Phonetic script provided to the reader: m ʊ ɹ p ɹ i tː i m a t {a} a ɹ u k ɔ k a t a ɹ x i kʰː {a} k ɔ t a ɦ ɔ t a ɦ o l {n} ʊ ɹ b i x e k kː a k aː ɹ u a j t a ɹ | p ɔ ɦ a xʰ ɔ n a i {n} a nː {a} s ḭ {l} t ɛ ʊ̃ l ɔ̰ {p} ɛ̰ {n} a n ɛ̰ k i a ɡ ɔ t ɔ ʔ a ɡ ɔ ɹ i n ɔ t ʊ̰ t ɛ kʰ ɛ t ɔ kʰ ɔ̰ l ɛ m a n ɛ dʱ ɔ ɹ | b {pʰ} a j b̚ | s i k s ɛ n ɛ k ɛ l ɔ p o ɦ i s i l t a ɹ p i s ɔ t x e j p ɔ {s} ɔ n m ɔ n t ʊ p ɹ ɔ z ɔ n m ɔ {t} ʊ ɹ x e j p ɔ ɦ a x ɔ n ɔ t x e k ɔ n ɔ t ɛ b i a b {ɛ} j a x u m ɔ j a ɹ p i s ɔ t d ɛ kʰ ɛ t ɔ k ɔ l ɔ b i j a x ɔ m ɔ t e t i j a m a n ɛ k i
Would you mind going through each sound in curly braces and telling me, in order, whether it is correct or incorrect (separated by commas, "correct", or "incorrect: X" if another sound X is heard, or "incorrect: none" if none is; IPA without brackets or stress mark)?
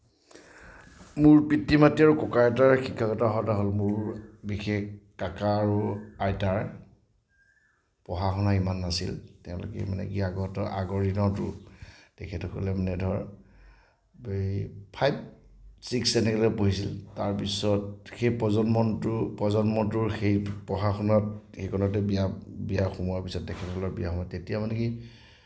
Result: incorrect: i, correct, incorrect: m, incorrect: m, correct, correct, incorrect: k, incorrect: m, correct, incorrect: z, correct, incorrect: i